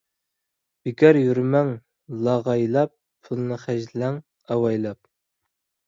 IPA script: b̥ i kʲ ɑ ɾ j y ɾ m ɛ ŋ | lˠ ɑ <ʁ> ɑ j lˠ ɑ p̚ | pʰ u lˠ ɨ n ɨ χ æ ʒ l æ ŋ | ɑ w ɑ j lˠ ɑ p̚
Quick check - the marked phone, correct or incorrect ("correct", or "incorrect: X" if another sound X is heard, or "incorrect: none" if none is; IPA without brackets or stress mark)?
correct